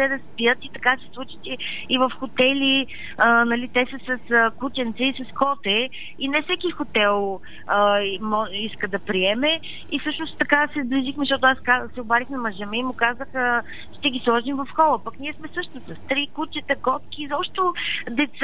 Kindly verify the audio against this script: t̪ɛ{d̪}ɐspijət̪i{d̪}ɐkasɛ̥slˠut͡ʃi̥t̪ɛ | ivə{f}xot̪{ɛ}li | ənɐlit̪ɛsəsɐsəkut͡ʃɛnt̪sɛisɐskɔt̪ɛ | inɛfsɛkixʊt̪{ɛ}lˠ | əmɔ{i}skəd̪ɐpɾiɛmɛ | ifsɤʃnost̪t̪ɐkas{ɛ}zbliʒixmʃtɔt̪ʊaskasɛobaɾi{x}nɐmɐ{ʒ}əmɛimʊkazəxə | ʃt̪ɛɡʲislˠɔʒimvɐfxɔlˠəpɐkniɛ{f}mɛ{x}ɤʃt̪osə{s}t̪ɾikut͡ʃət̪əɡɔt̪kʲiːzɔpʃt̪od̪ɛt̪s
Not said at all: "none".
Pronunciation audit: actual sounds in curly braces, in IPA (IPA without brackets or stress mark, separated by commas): d̪, t̪, f, ɛ, ɛ, i, ɛ, x, ʒ, s, s, s